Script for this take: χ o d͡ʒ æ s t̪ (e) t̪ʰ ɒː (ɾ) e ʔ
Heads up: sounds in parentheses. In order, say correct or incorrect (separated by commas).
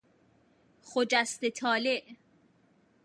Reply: correct, incorrect